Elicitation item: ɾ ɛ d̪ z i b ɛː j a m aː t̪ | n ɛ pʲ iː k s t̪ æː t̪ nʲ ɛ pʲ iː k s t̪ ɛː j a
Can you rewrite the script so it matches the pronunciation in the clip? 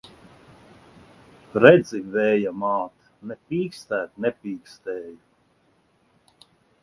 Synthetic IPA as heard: ɾ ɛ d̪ z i v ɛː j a m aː t̪ | n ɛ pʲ iː k s t̪ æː t̪ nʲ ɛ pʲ iː k s t̪ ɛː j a